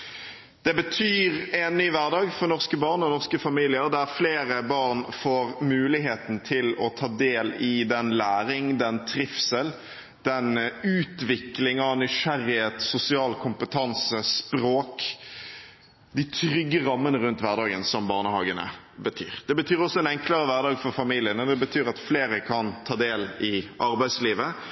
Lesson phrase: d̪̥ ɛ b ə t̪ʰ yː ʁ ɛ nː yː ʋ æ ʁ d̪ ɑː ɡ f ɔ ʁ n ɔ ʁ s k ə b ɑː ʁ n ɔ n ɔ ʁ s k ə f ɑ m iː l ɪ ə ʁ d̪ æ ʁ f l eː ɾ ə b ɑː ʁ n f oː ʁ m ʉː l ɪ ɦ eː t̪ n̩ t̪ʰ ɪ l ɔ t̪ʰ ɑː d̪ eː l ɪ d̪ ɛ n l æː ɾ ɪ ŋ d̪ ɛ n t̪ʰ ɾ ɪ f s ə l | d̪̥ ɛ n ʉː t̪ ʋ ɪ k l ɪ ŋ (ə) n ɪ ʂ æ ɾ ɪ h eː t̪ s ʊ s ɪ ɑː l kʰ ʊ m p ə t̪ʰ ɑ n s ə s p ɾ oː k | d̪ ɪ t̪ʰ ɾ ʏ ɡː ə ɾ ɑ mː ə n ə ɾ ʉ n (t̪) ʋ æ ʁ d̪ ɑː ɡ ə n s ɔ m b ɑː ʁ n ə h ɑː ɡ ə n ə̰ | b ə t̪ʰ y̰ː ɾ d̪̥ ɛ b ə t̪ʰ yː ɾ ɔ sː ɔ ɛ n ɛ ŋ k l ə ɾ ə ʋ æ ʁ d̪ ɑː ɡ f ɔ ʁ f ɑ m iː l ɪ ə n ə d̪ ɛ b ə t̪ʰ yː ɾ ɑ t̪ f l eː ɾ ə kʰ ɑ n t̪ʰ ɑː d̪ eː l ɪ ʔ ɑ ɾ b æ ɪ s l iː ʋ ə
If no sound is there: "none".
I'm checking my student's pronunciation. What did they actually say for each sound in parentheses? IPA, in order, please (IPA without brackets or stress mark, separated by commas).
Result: ɑ, t̪